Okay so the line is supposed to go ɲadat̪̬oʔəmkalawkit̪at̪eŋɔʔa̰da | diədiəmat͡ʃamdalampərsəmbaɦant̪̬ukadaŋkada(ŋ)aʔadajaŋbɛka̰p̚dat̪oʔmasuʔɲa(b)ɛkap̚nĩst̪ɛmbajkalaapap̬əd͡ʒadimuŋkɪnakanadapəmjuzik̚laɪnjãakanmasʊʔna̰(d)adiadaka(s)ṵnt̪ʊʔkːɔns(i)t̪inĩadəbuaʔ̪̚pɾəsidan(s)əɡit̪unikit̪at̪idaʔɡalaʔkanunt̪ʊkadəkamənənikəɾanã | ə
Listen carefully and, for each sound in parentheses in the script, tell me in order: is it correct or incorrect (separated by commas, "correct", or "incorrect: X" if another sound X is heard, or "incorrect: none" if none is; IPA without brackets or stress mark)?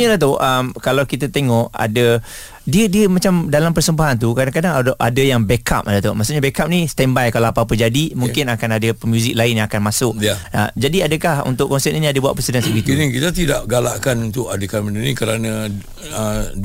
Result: correct, correct, incorrect: d͡ʒ, incorrect: h, incorrect: ɛ, correct